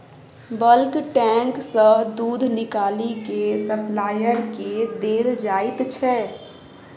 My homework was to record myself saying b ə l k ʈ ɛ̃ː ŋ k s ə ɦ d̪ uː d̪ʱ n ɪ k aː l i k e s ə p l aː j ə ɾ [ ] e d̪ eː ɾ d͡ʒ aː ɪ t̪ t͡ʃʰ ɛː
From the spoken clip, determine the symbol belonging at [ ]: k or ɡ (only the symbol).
k